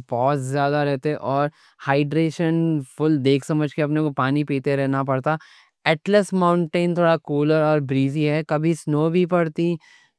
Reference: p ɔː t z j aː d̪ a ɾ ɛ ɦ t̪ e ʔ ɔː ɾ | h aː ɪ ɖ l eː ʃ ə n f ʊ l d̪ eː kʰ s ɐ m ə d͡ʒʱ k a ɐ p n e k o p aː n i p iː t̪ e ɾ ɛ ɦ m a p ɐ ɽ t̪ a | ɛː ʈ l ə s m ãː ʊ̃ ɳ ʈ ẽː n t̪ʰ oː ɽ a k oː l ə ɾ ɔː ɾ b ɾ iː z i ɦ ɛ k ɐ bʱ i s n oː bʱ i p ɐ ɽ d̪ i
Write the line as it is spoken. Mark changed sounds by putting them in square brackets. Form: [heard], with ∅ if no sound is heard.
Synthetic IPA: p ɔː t z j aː d̪ a ɾ ɛ ɦ t̪ e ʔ ɔː ɾ | h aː ɪ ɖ [ɾ] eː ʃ ə n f ʊ l d̪ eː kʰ s ɐ m ə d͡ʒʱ k [e] ɐ p n e k o p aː n i p iː t̪ e ɾ ɛ ɦ [n] a p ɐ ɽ t̪ a | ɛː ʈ l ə s m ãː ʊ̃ ɳ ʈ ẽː n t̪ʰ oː ɽ a k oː l ə ɾ ɔː ɾ b ɾ iː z i ɦ ɛ k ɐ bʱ i s n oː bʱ i p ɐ ɽ [t̪] i

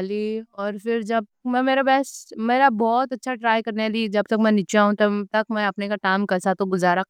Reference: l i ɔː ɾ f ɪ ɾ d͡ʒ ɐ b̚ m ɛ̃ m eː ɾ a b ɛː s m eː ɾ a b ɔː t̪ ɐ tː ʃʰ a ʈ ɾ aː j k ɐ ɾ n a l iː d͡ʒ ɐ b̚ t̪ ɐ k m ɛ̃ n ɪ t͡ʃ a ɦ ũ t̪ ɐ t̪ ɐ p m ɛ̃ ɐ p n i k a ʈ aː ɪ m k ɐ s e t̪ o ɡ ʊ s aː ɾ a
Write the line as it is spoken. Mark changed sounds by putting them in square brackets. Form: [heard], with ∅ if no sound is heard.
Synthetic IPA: l i ɔː ɾ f ɪ ɾ d͡ʒ ɐ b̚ m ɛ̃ m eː ɾ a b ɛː s m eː ɾ a b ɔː t̪ ɐ tː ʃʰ a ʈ ɾ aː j k ɐ ɾ n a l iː d͡ʒ ɐ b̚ t̪ ɐ k m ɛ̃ n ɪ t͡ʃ a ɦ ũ t̪ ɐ t̪ ɐ [k] m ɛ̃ ɐ p n [e] k a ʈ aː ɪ m k ɐ s [a] t̪ o ɡ ʊ [z] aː ɾ a

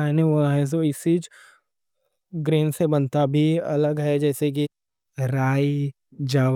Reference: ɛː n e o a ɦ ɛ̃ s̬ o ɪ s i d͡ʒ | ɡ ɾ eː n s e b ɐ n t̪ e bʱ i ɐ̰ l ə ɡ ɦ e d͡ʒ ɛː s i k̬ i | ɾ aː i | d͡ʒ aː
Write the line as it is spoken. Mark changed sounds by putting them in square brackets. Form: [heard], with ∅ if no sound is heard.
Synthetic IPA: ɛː n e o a ɦ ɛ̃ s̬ o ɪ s i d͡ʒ | ɡ ɾ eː n s e b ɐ n t̪ [a] bʱ i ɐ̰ l ə ɡ ɦ [ɛ] d͡ʒ ɛː s [e] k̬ i | ɾ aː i | d͡ʒ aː

